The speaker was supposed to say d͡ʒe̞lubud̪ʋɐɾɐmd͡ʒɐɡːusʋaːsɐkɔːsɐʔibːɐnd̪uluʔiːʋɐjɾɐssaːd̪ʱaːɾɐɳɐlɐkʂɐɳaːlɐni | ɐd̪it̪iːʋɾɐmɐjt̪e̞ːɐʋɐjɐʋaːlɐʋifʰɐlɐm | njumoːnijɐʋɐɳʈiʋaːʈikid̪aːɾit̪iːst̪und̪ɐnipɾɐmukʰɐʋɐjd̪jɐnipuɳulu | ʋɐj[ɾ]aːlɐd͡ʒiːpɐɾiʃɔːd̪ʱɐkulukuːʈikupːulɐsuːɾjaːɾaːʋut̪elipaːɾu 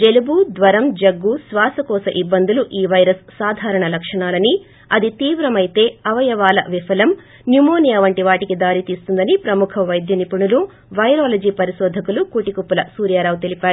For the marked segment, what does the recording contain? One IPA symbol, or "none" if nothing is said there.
ɾ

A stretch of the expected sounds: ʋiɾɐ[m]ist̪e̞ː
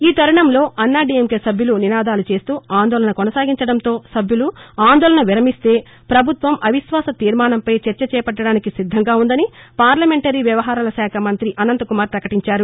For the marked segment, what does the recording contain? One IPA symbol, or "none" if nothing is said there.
m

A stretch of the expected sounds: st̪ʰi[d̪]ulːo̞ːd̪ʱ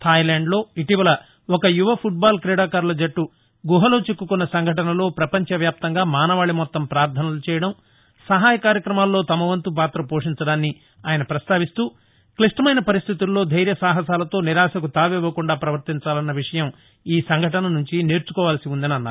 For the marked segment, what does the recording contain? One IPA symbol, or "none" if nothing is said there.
t̪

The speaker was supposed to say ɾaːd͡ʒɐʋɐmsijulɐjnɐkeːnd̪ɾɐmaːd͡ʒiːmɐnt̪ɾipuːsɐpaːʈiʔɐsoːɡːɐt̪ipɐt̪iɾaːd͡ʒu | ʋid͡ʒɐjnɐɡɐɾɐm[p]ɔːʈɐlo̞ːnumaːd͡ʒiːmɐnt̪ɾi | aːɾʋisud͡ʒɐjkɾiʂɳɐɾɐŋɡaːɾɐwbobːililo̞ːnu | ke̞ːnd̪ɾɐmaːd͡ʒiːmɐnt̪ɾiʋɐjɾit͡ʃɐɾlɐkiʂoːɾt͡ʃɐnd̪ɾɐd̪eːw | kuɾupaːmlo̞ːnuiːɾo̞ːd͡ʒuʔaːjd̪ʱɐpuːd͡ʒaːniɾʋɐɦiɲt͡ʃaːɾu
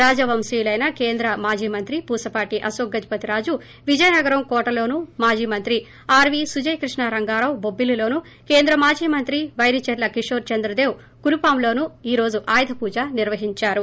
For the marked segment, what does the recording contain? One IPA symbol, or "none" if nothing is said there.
k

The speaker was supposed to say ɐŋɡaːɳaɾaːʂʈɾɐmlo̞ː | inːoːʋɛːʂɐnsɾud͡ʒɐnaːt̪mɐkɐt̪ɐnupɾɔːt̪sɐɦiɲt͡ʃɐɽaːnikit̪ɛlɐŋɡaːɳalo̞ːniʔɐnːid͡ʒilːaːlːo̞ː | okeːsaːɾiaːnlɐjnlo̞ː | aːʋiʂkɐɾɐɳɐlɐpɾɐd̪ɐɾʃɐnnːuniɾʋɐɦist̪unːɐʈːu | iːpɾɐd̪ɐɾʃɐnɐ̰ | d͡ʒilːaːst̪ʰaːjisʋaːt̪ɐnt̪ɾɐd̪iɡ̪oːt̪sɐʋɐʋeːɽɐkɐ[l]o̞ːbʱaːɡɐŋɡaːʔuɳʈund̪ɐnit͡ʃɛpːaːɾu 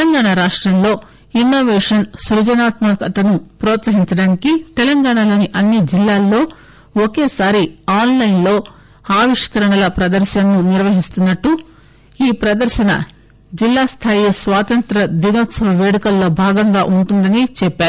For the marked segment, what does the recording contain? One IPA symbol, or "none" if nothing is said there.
lː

